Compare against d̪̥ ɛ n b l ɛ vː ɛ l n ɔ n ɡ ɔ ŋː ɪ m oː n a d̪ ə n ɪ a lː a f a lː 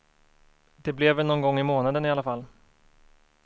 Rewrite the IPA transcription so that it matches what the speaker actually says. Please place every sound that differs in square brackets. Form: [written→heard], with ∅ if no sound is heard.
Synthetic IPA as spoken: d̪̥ ɛ [n→∅] b l ɛ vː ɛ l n ɔ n ɡ ɔ ŋː ɪ m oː n a d̪ ə n ɪ a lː a f a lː

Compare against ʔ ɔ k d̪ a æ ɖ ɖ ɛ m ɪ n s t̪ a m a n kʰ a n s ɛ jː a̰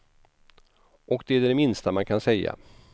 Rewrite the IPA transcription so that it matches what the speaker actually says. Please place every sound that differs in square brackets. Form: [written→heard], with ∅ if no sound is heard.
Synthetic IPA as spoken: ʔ ɔ k d̪ [a→ɛ] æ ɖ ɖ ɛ m ɪ n s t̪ a m a n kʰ a n s ɛ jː a̰

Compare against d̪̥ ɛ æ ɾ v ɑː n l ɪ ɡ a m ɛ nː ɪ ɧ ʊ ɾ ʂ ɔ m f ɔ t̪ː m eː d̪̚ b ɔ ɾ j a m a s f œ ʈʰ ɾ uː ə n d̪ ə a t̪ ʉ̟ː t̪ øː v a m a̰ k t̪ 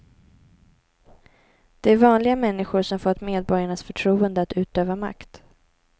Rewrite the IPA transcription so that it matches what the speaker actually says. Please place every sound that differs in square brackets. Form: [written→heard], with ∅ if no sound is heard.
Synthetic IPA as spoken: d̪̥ ɛ æ ɾ v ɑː n l ɪ ɡ a m ɛ nː ɪ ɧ ʊ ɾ ʂ ɔ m f ɔ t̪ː m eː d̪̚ b ɔ ɾ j a [m→ɳ] a s f œ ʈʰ ɾ uː ə n d̪ ə a t̪ ʉ̟ː t̪ øː v a m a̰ k t̪

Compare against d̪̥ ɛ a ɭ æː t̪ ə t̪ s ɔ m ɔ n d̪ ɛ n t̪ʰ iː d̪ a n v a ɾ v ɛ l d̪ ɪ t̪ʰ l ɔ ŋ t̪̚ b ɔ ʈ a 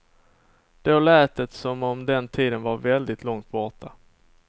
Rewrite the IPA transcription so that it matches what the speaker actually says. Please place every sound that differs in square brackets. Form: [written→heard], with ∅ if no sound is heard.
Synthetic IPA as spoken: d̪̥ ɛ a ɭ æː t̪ ə t̪ s ɔ m ɔ [n→m] d̪ ɛ n t̪ʰ iː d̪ [a→ə] n v a ɾ v ɛ l d̪ ɪ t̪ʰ l ɔ ŋ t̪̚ b ɔ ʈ a

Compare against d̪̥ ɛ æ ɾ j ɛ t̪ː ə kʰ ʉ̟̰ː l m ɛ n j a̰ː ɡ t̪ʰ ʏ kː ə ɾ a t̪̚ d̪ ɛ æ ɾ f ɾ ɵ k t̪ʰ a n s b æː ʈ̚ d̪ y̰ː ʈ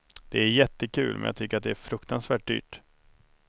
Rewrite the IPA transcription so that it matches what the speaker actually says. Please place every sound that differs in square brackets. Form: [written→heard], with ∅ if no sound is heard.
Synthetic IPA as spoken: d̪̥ ɛ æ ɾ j ɛ t̪ː ə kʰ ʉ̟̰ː l m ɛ n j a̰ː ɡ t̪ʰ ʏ kː ə ɾ a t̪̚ d̪ ɛ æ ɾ f ɾ ɵ k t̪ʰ a n s [b→v] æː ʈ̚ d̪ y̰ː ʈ

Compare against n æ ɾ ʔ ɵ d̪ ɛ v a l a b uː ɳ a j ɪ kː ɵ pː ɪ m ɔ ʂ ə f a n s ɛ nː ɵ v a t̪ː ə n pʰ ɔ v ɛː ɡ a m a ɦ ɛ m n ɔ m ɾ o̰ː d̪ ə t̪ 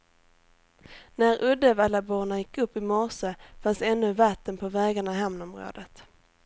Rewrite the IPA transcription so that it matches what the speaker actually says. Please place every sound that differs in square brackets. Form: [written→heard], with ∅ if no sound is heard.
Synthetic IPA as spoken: n æ ɾ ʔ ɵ d̪ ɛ v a l a b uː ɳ a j ɪ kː ɵ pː ɪ m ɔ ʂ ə f a n s ɛ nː ɵ v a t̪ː ə n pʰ ɔ v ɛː ɡ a [m→ɳ] a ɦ ɛ m n ɔ m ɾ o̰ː d̪ ə t̪

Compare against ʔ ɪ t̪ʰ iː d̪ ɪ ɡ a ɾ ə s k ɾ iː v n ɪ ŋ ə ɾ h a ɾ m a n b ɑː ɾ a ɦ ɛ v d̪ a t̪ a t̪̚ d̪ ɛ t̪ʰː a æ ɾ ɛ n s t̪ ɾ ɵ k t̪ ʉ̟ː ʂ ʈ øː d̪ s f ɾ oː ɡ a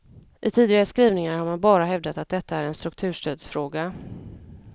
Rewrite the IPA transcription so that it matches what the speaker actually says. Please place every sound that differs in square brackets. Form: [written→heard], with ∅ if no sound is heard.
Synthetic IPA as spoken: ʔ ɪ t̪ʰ iː d̪ ɪ ɡ a ɾ ə s k ɾ iː v n ɪ ŋ [ə→a] ɾ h a ɾ m a n b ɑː ɾ a ɦ ɛ v d̪ a t̪ a t̪̚ d̪ ɛ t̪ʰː a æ ɾ ɛ n s t̪ ɾ ɵ k [t̪→t̪ʰ] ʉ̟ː ʂ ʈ øː d̪ s f ɾ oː ɡ a

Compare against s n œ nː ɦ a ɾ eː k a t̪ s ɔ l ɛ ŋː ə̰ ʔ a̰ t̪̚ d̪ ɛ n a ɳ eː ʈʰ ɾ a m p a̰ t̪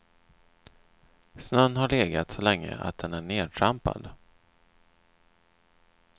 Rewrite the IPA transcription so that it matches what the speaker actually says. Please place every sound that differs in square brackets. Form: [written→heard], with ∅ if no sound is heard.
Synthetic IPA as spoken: s n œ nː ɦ a [ɾ→ɭ] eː [k→ɡ] a t̪ s ɔ l ɛ ŋː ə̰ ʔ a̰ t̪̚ d̪ ɛ n [a→æ] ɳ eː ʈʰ ɾ a m p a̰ [t̪→d̪]

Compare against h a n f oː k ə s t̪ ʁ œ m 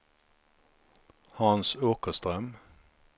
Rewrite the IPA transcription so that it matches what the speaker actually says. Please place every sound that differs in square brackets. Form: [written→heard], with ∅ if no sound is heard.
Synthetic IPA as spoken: h [a→ɑ] n [f→s] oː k ə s t̪ ʁ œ m

